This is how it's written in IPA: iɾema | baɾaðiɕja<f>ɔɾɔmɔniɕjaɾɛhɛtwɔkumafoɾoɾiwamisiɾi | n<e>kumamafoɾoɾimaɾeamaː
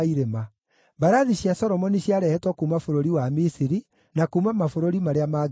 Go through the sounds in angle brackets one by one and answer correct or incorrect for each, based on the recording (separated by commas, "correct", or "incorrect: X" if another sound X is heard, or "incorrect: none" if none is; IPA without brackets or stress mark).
incorrect: s, incorrect: a